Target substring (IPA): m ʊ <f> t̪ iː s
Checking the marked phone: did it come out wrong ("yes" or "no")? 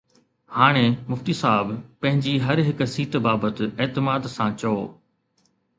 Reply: no